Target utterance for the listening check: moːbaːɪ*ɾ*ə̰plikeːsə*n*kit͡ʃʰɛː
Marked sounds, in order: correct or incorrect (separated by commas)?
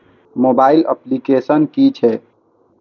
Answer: incorrect, correct